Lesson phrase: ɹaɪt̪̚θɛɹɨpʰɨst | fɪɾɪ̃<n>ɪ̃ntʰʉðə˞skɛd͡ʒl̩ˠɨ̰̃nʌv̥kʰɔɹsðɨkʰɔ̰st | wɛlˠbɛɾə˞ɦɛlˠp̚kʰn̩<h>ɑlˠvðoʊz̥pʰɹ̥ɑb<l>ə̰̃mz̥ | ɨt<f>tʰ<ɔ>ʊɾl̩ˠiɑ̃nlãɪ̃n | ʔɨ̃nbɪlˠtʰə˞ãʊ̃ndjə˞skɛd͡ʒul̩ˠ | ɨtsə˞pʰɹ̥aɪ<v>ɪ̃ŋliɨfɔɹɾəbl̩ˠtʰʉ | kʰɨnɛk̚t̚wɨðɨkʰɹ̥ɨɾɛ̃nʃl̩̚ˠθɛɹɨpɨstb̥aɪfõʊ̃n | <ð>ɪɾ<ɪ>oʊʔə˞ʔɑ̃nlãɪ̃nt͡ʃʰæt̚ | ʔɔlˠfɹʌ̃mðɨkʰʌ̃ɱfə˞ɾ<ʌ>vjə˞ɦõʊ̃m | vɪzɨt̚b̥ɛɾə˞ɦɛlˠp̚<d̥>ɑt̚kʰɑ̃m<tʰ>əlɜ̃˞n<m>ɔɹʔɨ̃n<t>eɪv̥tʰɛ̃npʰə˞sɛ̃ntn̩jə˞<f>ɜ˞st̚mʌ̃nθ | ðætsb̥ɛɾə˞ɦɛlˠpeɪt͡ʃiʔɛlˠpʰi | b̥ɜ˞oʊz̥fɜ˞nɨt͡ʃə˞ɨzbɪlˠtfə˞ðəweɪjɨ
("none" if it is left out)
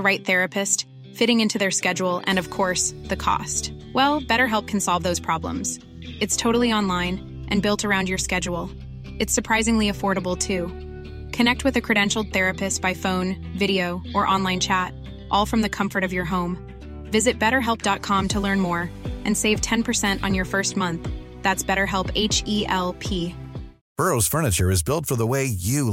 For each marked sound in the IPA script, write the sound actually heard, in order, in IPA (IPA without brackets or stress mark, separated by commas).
ŋ, s, l, s, o, z, v, i, ʌ, d̥, tʰ, m, s, f